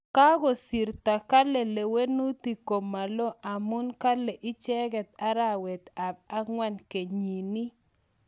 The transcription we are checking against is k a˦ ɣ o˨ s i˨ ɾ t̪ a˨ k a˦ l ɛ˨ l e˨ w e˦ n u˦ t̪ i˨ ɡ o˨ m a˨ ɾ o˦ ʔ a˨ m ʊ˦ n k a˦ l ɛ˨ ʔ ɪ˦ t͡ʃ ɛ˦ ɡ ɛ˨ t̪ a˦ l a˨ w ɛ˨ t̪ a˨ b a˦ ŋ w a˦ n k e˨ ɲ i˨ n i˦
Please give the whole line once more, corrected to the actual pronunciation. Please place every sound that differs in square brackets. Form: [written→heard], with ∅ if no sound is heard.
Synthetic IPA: k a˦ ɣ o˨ s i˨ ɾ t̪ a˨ k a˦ l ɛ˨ l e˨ w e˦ n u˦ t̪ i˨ [ɡ→k] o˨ m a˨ [ɾ→l] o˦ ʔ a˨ m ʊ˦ n k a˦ l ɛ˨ ʔ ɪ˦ t͡ʃ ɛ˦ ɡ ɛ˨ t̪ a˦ [l→ɾ] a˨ w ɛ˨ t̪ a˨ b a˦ ŋ w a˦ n k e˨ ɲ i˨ n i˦